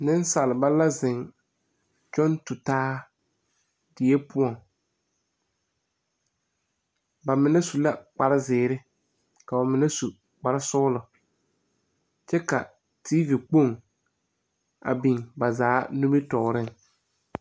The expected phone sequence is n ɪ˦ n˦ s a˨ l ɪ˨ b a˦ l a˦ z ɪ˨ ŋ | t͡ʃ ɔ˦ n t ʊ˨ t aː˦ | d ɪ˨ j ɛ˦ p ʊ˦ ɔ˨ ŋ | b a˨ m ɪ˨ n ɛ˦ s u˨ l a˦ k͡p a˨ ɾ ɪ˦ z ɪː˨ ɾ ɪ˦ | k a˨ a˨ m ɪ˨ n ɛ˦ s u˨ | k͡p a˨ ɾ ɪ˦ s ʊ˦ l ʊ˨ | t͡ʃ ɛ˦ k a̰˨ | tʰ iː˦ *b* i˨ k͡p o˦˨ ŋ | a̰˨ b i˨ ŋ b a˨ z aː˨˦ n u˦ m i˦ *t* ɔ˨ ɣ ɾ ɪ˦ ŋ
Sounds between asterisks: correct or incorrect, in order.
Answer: incorrect, correct

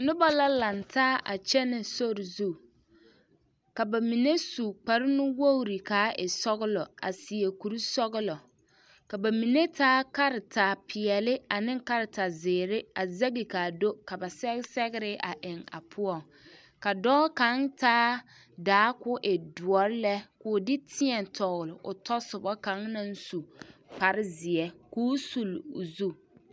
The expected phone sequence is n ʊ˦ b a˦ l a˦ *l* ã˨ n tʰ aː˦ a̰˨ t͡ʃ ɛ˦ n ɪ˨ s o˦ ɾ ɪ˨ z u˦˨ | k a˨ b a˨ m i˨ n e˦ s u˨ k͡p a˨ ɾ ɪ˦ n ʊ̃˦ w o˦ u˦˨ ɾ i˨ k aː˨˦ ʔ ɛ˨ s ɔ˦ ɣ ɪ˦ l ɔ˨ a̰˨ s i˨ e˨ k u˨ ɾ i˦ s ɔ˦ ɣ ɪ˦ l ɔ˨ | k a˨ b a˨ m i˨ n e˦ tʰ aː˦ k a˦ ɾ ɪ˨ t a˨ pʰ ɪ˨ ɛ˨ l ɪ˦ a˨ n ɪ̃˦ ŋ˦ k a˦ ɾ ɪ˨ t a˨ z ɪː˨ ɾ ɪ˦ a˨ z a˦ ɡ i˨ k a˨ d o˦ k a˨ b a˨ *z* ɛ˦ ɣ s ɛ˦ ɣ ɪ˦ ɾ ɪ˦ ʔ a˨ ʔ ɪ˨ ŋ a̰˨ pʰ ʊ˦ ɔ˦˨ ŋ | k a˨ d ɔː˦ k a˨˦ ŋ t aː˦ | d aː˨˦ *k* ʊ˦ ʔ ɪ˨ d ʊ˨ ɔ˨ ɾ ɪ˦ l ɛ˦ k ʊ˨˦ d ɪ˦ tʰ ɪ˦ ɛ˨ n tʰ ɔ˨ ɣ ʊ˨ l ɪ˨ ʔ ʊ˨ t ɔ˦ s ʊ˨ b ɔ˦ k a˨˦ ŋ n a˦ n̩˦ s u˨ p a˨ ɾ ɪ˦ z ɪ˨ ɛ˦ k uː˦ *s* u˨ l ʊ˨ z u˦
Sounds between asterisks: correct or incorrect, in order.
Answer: correct, incorrect, correct, correct

